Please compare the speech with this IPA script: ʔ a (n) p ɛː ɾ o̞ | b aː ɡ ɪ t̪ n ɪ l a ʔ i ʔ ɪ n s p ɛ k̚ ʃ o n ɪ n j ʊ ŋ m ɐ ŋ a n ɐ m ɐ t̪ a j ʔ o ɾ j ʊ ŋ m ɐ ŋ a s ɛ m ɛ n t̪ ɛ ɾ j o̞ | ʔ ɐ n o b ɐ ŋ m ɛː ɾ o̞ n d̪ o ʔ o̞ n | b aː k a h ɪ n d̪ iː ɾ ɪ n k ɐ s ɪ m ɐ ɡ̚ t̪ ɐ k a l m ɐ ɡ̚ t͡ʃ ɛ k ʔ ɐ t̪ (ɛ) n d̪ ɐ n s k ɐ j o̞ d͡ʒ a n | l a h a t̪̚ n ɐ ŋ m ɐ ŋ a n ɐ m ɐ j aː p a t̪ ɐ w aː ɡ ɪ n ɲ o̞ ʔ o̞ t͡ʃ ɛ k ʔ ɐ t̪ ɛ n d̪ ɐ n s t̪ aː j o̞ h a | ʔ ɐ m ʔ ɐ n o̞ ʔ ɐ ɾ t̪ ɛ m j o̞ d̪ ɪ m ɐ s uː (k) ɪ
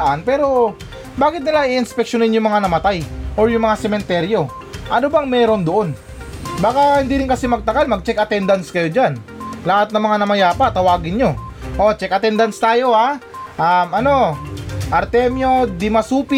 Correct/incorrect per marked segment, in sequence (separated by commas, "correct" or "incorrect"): correct, correct, incorrect